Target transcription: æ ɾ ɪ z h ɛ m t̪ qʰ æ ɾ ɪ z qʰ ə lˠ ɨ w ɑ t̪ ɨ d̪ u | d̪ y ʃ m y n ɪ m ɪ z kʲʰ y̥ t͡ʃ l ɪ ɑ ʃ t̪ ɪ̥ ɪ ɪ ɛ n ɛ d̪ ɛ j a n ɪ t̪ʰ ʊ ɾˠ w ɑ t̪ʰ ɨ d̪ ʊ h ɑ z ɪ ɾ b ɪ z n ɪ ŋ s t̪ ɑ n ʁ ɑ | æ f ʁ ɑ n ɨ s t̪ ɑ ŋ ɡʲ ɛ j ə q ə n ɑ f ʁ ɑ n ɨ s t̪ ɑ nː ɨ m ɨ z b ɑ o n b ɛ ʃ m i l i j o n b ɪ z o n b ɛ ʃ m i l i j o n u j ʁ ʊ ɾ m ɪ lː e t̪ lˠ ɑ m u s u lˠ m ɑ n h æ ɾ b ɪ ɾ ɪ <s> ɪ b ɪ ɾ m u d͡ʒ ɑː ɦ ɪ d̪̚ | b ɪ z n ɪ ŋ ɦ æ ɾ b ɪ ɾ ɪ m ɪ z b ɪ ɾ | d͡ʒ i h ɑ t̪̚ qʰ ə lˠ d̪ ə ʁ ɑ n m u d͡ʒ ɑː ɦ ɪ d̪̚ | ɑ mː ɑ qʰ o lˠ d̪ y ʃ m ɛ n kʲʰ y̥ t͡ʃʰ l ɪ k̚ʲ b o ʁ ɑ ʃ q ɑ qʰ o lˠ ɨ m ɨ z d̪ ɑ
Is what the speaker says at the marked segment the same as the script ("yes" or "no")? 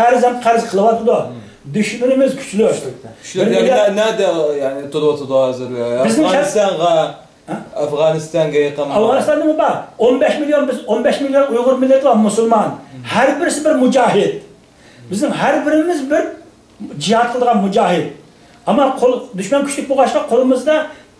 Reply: yes